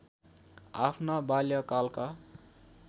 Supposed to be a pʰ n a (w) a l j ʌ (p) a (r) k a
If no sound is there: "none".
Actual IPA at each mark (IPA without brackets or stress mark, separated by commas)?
b, k, l